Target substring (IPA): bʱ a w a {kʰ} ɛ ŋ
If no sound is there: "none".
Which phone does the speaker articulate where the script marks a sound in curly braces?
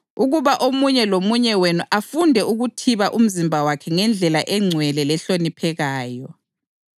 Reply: kʰ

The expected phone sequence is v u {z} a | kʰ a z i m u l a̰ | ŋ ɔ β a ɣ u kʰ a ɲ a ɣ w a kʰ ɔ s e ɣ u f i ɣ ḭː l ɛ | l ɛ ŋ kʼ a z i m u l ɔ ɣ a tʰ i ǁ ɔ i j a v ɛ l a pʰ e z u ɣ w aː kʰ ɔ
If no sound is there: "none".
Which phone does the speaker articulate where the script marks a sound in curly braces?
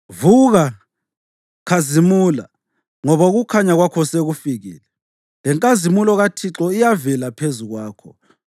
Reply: ɣ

